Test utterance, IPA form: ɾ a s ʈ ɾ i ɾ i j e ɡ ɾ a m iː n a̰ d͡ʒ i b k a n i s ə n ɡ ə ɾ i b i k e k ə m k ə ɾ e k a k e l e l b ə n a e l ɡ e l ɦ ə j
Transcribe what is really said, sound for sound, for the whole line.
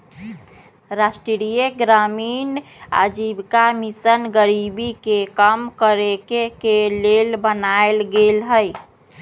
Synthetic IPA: ɾ a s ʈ ɾ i ɾ i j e ɡ ɾ a m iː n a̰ d͡ʒ i b k a m i s ə n ɡ ə ɾ i b i k e k ə m k ə ɾ e k e k e l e l b ə n a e l ɡ e l ɦ ə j

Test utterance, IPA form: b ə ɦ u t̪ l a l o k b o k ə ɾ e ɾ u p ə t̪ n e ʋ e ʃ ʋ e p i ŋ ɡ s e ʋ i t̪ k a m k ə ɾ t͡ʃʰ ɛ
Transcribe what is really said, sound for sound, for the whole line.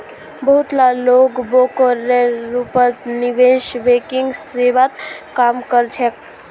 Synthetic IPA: b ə ɦ u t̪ l a l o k b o k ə ɾ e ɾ u p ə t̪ n i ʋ e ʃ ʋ e k i ŋ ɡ s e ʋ a t̪ k a m k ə ɾ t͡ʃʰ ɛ

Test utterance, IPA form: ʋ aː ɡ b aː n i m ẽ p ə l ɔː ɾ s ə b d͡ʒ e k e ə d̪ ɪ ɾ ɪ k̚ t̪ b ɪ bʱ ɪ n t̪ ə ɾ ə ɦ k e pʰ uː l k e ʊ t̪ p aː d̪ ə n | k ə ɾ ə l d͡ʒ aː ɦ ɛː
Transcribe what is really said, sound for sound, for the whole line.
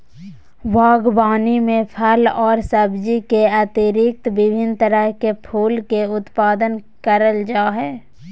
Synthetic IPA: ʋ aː ɡ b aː n i m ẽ pʰ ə l ɔː ɾ s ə b d͡ʒ i k e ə t̪ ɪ ɾ ɪ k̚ t̪ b ɪ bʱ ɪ n t̪ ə ɾ ə ɦ k e pʰ uː l k e ʊ t̪ p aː d̪ ə n | k ə ɾ ə l d͡ʒ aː ɦ ɛː

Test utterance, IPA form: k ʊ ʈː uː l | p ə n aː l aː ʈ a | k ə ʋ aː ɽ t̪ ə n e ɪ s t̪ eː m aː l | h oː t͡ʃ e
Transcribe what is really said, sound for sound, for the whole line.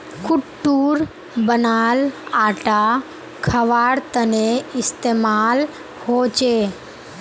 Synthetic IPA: k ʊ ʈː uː ɾ | b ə n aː l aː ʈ a | kʰ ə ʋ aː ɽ t̪ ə n e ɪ s t̪ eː m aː l | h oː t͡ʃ e

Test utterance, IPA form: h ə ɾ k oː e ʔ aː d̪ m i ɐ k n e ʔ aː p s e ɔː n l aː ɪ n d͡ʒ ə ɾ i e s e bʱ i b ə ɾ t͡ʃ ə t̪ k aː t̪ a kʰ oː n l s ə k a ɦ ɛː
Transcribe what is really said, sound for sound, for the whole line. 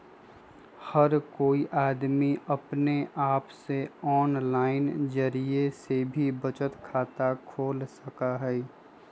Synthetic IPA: h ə ɾ k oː i ʔ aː d̪ m i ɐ p n e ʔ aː p s e ɔː n l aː ɪ n d͡ʒ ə ɾ i e s e bʱ i b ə t͡ʃ ə t̪ kʰ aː t̪ a kʰ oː l s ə k a ɦ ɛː

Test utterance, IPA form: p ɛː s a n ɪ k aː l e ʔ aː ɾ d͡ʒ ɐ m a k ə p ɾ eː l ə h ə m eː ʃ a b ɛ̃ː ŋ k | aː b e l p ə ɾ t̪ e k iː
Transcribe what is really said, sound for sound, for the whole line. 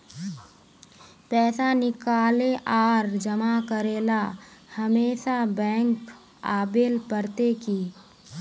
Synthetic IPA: p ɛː s a n ɪ k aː l e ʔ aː ɾ d͡ʒ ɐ m a k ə ɾ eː l a h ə m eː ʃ a b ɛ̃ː ŋ k | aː b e l p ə ɾ t̪ e k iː

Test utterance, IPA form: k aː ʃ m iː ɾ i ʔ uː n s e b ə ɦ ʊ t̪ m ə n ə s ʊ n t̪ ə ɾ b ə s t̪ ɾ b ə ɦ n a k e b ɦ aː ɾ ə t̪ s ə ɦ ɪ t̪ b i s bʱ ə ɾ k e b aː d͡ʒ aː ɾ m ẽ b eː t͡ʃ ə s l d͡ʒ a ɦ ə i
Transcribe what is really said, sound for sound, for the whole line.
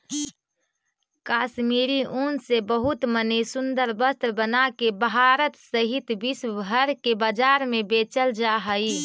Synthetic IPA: k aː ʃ m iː ɾ i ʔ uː n s e b ə ɦ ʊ t̪ m ə n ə s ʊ n d̪ ə ɾ b ə s t̪ ɾ b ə n a k e b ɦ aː ɾ ə t̪ s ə ɦ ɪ t̪ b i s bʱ ə ɾ k e b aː d͡ʒ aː ɾ m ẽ b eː t͡ʃ ə l d͡ʒ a ɦ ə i

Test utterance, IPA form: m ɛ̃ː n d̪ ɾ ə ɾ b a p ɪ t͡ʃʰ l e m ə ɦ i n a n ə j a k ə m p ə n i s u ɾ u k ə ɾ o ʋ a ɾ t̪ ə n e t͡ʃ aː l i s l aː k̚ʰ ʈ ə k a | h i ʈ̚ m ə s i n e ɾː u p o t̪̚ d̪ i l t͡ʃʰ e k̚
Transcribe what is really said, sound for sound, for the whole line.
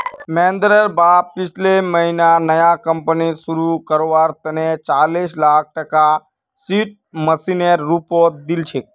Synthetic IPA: m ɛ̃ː n d̪ ɾ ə ɾ b a p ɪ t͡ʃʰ l e m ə ɦ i n a n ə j a k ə m p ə n i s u ɾ u k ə ɾ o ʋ a ɾ t̪ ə n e t͡ʃ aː l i s l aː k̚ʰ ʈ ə k a | s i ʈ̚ m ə s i n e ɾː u p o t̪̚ d̪ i l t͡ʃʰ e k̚

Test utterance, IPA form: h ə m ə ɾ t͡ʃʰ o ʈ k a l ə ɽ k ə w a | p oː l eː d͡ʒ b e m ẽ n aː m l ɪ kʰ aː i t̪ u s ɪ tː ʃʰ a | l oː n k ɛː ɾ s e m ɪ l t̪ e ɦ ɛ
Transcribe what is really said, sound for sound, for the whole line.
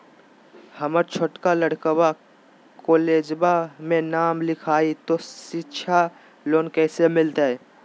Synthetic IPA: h ə m ə ɾ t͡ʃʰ o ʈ k a l ə ɽ k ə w a | k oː l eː d͡ʒ b a m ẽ n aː m l ɪ kʰ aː i t̪ o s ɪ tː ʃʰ a | l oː n k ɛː s e m ɪ l t̪ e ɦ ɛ

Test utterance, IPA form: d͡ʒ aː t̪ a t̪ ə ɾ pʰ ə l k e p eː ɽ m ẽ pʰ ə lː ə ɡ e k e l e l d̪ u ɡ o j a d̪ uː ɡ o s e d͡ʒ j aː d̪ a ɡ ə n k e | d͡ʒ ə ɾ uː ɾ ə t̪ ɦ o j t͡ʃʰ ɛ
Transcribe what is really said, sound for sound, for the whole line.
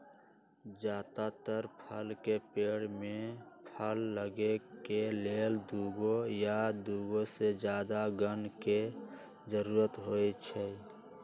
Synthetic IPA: d͡ʒ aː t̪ a t̪ ə ɾ pʰ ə l k e p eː ɽ m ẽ pʰ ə lː ə ɡ e k e l e l d̪ u ɡ o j a d̪ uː ɡ o s e d͡ʒ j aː d̪ a ɡ ə n k e | d͡ʒ ə ɾ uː ɾ ə t̪ ɦ o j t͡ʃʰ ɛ

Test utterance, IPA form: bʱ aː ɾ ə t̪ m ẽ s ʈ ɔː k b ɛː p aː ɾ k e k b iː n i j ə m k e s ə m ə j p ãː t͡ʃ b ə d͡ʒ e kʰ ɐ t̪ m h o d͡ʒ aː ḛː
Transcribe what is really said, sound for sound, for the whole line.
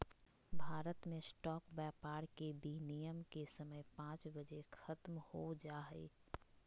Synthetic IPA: bʱ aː ɾ ə t̪ m ẽ s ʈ ɔː k b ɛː p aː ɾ k e b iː n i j ə m k e s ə m ə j p ãː t͡ʃ b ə d͡ʒ e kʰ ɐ t̪ m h o d͡ʒ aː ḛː

